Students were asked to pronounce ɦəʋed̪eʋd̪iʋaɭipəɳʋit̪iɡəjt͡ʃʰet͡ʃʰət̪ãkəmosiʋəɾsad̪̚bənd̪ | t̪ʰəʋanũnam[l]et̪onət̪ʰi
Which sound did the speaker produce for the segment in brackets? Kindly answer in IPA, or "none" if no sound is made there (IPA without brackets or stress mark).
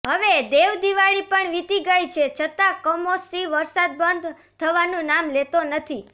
l